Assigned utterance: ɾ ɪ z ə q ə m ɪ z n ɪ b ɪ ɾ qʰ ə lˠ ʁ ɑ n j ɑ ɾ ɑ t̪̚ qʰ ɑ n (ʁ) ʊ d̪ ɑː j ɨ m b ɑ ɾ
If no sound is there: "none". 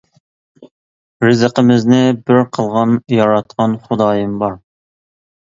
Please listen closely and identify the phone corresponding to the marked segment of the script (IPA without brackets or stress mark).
χ